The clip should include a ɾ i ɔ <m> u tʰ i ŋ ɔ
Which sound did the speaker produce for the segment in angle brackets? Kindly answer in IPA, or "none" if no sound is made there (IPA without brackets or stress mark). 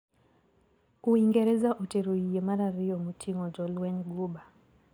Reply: m